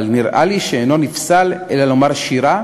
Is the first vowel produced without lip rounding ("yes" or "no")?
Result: yes